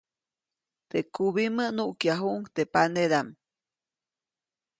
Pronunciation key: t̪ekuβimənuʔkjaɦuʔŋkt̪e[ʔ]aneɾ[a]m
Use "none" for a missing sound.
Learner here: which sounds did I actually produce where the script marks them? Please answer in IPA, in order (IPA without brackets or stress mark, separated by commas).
p, a